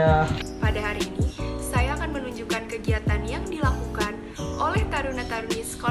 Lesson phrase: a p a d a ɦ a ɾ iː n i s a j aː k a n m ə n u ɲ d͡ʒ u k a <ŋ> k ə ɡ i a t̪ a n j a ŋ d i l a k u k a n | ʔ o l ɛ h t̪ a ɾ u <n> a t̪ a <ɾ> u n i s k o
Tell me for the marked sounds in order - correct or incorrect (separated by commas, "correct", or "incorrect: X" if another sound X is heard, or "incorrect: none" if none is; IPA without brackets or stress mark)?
incorrect: n, correct, correct